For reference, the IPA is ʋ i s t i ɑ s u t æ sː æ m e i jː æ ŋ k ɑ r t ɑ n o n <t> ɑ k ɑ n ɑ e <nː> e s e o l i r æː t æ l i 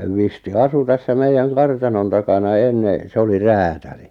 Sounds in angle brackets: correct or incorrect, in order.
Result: correct, correct

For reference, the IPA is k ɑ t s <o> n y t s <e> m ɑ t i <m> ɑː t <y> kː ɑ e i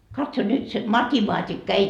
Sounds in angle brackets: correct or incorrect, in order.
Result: correct, correct, correct, incorrect

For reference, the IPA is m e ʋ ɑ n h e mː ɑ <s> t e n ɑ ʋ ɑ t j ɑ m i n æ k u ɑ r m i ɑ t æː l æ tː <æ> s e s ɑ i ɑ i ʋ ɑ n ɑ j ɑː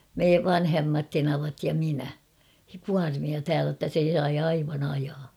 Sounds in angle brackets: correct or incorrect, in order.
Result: incorrect, correct

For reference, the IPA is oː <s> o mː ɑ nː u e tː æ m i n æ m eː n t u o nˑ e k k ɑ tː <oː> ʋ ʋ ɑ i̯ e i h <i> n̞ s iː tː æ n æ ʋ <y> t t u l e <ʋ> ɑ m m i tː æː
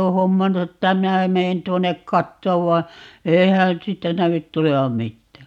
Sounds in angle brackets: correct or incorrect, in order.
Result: incorrect, correct, incorrect, correct, correct

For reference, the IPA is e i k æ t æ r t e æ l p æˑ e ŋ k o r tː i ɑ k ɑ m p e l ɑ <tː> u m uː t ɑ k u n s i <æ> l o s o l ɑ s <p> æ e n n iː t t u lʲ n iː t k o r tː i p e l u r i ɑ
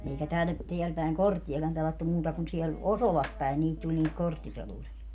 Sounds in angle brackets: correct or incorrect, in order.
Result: correct, incorrect, correct

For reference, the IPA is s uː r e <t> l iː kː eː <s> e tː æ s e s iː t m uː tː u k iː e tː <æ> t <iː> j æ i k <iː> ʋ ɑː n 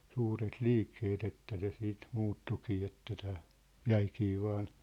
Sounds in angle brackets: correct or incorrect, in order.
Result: correct, incorrect, correct, incorrect, correct

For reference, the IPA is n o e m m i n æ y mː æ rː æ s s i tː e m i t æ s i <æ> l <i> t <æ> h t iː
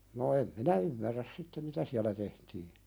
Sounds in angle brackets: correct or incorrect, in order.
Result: correct, incorrect, incorrect

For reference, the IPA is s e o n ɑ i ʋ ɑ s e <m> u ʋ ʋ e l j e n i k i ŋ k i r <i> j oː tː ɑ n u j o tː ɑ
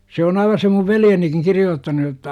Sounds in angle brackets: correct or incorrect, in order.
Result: correct, correct

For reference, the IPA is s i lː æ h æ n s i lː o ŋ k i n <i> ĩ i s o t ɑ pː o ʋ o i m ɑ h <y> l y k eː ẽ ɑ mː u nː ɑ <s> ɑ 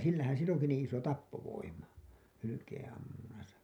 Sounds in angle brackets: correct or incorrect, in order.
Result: incorrect, correct, correct

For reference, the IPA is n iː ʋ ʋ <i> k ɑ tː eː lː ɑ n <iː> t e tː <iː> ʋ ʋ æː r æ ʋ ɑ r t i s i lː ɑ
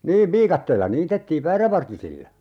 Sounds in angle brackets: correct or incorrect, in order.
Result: incorrect, correct, correct

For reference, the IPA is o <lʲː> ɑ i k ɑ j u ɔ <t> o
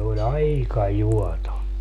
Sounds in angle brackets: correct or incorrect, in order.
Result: incorrect, correct

